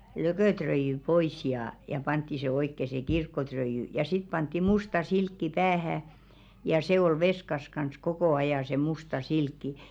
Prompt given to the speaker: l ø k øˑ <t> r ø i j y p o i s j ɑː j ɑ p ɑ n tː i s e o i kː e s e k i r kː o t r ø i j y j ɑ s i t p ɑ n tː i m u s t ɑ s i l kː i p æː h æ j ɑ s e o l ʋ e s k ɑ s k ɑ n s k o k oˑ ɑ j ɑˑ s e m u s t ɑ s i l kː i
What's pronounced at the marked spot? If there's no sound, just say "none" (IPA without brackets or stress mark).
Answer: t